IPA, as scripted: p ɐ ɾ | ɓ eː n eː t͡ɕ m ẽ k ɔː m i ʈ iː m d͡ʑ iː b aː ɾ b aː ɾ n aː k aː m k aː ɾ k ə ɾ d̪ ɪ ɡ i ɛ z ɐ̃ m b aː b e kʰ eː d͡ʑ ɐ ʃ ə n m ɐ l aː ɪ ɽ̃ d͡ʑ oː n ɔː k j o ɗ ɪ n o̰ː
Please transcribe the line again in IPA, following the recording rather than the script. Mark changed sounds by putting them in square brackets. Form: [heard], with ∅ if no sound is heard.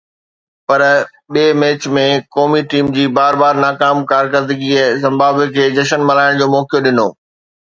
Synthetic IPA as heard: p ɐ ɾ | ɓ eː [m] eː t͡ɕ m ẽ k ɔː m i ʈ iː m d͡ʑ iː b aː ɾ b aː ɾ n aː k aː m k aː ɾ k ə ɾ d̪ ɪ ɡ i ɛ z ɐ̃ m b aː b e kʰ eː d͡ʑ ɐ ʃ ə n m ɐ l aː ɪ ɽ̃ d͡ʑ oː [m] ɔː k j o ɗ ɪ n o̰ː

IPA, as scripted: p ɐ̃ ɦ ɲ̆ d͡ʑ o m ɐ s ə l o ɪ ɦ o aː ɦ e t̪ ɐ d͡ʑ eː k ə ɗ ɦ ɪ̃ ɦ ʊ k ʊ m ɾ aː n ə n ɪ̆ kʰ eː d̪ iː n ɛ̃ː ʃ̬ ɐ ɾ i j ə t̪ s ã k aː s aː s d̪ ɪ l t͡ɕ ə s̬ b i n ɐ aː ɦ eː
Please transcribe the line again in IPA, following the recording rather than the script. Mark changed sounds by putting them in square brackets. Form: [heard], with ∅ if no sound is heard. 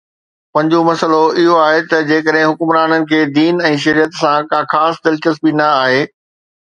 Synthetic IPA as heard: p ɐ̃ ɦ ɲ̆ d͡ʑ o m ɐ s ə l o ɪ ɦ o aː ɦ e t̪ ɐ d͡ʑ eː k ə ɗ ɦ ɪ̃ ɦ ʊ k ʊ m ɾ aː n ə n ɪ̆ kʰ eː d̪ iː n ɛ̃ː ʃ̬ ɐ ɾ i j ə t̪ s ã k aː [x] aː s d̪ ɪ l t͡ɕ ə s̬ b i n ɐ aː ɦ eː

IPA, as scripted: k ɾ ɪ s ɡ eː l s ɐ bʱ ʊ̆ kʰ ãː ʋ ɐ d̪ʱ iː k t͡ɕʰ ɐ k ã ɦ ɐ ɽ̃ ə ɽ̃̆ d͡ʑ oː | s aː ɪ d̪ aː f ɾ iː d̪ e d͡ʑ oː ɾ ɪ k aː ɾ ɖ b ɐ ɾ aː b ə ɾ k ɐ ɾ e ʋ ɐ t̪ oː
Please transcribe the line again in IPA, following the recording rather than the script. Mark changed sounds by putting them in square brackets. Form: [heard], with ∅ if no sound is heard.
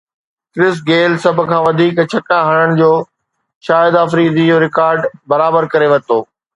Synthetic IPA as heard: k ɾ ɪ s ɡ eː l s ɐ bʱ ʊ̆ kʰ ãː ʋ ɐ d̪ʱ iː k t͡ɕʰ ɐ k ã ɦ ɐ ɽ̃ ə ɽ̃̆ d͡ʑ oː | [ʃ] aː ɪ d̪ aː f ɾ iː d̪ [i] d͡ʑ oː ɾ ɪ k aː ɾ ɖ b ɐ ɾ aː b ə ɾ k ɐ ɾ e ʋ ɐ t̪ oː

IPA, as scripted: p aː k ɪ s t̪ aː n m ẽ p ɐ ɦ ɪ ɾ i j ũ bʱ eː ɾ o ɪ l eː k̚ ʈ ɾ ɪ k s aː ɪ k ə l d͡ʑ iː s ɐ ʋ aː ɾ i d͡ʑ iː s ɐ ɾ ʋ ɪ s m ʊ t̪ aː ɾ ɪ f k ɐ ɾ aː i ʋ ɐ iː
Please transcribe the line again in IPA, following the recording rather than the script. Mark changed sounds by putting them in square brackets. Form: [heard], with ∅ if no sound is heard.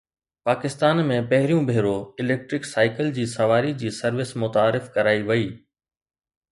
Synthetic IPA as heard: p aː k ɪ s t̪ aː n m ẽ p ɐ ɦ ɪ ɾ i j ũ bʱ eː ɾ o ɪ l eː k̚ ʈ ɾ ɪ k s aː ɪ k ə l d͡ʑ iː s ɐ ʋ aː ɾ i d͡ʑ iː s ɐ ɾ ʋ ɪ s m ʊ t̪ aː ɾ ɪ f k ɐ ɾ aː i ʋ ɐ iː

